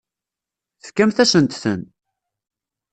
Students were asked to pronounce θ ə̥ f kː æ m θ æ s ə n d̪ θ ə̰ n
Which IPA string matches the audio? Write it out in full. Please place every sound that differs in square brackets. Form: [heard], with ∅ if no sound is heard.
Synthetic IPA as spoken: θ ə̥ f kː æ m θ æ s ə n [t̪] θ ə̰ n